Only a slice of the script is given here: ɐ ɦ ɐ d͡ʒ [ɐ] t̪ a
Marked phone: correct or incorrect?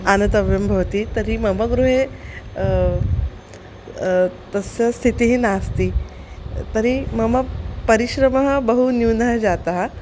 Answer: incorrect